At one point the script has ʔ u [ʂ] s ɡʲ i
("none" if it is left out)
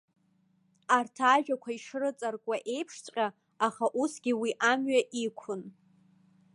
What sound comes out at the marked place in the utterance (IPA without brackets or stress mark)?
none